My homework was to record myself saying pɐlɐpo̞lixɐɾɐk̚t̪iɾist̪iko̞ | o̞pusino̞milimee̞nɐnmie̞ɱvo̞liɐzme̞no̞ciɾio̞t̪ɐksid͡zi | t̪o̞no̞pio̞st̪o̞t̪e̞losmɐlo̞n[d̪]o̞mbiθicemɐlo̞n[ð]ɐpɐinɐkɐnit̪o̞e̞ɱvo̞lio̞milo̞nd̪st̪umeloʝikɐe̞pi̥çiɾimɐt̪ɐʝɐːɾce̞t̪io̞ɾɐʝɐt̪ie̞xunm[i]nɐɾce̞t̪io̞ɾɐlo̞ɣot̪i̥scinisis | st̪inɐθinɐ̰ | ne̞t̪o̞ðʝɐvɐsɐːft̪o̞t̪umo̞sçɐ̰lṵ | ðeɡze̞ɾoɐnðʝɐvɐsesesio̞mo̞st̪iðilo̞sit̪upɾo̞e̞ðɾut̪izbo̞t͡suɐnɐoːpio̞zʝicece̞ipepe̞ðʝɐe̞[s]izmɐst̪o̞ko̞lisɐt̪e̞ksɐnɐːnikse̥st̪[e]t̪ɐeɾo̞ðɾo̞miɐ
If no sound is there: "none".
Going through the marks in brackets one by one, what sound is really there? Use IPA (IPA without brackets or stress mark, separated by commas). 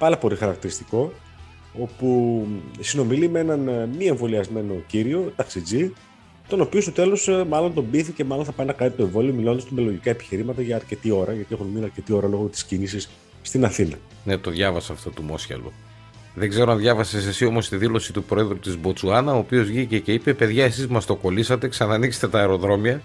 t̪, θ, i, s, e